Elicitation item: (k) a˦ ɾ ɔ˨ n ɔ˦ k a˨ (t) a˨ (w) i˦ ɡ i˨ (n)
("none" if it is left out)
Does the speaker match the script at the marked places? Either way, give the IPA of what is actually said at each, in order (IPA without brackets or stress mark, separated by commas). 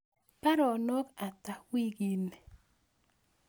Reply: p, t, w, n